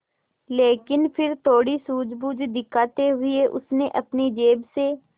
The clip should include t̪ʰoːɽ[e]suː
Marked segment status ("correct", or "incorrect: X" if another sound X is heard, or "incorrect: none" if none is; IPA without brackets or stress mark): incorrect: i